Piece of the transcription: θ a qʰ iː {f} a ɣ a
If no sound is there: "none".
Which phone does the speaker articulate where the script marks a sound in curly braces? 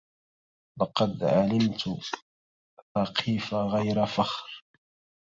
f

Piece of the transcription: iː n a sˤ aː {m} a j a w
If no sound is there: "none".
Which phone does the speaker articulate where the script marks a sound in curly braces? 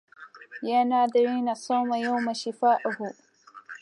m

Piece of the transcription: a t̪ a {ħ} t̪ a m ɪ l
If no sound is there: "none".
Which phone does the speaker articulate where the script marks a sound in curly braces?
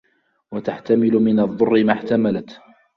ħ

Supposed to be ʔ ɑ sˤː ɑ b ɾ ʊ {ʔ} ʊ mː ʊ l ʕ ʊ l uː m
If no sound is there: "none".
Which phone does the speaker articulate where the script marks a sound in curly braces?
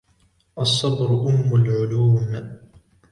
ʔ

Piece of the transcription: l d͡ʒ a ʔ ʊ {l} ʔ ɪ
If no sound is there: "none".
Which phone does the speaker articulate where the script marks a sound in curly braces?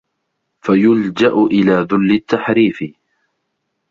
none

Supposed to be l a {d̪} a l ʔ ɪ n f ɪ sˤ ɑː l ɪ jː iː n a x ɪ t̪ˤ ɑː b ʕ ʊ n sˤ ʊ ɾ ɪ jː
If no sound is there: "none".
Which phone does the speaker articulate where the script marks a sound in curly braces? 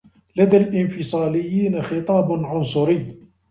d̪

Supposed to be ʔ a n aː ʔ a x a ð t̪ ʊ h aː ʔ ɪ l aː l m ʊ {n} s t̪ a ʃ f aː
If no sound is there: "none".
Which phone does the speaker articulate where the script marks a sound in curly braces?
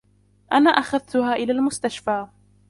none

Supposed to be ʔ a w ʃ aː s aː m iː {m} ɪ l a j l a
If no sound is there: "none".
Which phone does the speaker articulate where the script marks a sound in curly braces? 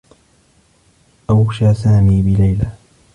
b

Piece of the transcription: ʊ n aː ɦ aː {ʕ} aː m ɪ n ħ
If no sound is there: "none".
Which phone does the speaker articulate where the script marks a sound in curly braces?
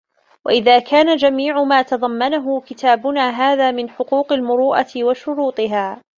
ð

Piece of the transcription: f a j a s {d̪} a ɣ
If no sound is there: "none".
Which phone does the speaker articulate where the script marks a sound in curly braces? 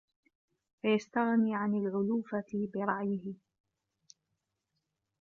t̪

